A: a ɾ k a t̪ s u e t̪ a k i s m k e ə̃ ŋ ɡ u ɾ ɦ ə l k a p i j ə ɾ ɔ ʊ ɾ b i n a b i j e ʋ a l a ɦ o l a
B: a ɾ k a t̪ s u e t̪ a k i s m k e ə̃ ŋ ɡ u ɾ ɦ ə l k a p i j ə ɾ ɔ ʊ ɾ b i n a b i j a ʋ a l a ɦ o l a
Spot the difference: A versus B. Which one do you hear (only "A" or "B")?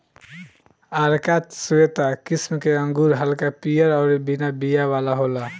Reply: B